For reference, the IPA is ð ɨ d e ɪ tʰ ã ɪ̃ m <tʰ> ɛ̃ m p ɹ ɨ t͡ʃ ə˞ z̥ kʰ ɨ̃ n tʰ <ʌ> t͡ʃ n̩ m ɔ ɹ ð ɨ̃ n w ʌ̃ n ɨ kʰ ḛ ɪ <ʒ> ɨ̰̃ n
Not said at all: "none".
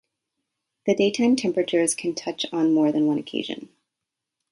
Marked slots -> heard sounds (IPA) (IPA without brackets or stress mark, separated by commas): tʰ, ʌ, ʒ